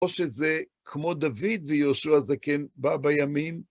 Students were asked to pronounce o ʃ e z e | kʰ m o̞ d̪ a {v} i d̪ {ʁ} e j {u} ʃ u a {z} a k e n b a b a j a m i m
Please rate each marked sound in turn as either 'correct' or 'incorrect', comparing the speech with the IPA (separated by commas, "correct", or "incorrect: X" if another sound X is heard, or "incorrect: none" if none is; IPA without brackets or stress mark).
correct, incorrect: v, incorrect: o, correct